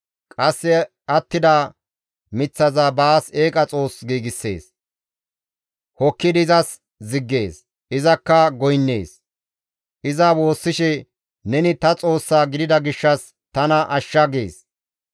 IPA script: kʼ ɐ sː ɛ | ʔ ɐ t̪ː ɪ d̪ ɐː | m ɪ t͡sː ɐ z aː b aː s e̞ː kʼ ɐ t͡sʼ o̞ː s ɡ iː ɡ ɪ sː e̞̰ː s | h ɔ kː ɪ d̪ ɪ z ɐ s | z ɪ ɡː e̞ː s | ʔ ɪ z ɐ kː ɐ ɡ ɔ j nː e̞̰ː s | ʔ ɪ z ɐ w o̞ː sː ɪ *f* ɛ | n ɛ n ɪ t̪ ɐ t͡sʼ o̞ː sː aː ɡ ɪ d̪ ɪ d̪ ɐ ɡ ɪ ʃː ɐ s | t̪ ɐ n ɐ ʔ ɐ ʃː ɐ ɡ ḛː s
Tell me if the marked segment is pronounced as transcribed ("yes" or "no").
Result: no